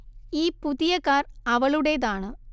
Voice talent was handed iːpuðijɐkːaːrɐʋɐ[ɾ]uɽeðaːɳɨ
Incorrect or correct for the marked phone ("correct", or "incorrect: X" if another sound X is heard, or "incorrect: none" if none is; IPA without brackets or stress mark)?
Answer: incorrect: ɭ